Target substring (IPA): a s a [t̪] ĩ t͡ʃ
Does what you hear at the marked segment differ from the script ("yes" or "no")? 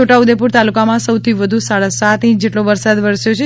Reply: no